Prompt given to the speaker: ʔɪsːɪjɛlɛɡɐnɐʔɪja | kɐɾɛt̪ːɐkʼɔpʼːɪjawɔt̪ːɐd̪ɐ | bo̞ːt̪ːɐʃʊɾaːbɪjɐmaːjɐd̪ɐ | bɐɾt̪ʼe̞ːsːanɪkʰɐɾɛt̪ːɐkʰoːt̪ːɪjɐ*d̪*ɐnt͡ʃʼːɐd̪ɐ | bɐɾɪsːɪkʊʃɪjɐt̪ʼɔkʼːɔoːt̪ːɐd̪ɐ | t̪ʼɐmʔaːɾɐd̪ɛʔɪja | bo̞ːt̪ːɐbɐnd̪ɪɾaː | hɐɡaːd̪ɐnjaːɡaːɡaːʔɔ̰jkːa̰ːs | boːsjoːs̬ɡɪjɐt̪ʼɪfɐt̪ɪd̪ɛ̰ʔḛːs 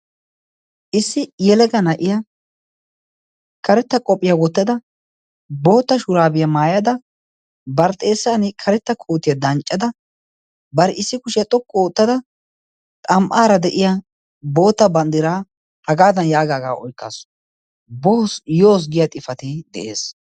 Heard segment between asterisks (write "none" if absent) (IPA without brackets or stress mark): d̪